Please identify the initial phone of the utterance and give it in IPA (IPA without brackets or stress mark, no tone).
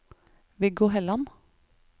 ʋ